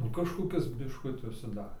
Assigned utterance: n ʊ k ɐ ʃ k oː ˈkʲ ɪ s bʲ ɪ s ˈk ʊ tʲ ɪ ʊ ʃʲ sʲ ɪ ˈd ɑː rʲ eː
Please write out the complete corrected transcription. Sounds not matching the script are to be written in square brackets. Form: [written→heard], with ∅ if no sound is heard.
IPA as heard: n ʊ k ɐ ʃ k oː ˈkʲ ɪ s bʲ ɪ [s→ʃ] ˈk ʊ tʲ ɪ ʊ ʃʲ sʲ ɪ ˈd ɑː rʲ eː